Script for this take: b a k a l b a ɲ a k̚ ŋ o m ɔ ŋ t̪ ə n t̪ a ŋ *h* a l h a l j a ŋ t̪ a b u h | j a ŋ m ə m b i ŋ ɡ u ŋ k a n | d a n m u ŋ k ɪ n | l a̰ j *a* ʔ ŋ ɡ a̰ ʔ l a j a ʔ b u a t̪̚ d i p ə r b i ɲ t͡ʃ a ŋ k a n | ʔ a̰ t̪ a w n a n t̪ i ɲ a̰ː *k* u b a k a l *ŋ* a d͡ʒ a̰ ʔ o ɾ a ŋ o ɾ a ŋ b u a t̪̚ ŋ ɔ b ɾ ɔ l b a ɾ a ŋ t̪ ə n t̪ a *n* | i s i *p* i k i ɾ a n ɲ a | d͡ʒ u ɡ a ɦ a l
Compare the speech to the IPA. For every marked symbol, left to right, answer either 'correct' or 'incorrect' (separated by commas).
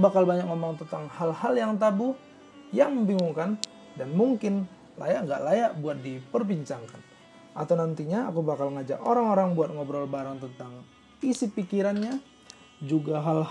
correct, correct, correct, correct, incorrect, correct